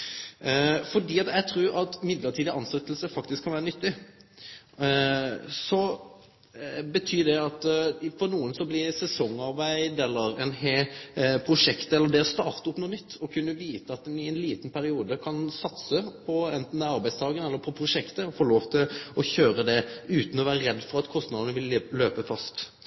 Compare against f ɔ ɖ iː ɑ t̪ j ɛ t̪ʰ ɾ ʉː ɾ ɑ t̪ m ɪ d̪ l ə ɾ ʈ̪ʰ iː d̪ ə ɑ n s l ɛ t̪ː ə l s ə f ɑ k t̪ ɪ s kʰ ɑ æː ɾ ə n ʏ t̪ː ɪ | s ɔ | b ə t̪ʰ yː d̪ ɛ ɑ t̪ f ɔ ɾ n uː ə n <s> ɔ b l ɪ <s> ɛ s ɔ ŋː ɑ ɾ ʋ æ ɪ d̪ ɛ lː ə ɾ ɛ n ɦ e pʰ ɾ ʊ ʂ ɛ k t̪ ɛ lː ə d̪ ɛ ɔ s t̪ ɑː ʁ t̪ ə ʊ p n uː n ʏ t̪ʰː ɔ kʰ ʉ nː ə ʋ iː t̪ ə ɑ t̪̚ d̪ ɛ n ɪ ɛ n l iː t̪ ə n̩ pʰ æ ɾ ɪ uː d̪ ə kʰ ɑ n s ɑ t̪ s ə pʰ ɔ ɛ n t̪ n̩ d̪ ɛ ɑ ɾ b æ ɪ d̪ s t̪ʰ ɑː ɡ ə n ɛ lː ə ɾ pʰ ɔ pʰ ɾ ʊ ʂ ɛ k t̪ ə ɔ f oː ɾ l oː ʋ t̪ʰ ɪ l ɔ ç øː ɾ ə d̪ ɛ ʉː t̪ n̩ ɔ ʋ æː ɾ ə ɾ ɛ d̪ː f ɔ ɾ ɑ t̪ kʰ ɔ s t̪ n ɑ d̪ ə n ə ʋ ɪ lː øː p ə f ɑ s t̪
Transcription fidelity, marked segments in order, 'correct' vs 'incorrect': correct, correct

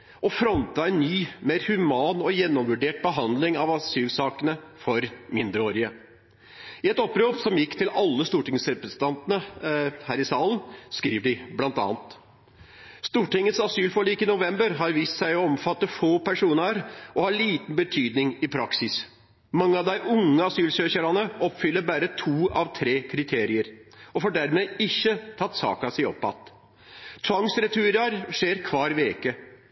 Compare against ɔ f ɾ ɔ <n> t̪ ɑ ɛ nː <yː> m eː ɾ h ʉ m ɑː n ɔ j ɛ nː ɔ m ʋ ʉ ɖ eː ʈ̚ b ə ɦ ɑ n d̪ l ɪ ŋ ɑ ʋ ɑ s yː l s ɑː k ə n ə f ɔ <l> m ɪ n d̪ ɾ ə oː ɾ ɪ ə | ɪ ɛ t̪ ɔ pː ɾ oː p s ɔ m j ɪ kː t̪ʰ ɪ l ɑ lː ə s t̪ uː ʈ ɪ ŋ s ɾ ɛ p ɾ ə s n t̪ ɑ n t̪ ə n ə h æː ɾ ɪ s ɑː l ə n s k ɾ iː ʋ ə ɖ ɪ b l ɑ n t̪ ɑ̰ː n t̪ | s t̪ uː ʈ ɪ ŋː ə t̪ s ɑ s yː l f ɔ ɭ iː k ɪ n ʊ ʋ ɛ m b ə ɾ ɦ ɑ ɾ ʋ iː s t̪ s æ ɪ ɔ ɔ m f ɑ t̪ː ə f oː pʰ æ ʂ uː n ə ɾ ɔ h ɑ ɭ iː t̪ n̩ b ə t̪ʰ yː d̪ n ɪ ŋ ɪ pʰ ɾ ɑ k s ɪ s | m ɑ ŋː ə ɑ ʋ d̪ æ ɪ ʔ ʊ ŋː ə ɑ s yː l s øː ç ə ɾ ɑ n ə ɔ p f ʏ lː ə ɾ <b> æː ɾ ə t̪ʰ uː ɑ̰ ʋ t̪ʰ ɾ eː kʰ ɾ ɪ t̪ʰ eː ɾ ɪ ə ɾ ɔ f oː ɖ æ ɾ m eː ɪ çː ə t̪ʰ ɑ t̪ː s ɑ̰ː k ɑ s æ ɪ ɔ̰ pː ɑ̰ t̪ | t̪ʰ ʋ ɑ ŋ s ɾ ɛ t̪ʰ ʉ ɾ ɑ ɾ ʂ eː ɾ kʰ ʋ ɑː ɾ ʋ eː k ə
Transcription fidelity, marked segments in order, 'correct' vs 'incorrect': correct, correct, incorrect: ɾ, correct

